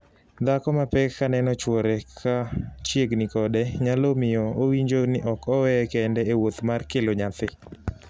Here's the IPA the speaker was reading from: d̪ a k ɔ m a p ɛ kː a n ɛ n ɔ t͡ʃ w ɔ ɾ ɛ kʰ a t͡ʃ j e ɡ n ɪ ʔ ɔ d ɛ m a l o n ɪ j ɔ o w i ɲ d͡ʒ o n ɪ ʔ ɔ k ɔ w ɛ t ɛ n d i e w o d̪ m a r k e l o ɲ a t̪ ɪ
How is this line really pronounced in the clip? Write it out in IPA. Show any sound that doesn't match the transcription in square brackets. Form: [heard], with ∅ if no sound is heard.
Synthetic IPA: d̪ a k ɔ m a p ɛ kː a n ɛ n ɔ t͡ʃ w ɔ ɾ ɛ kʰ a t͡ʃ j e ɡ n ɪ [k] ɔ d ɛ [ɲ] a l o [m] ɪ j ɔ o w i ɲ d͡ʒ o n ɪ ʔ ɔ k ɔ w ɛ [k] ɛ n d [ɛ] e w o [t̪] m a r k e l o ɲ a t̪ ɪ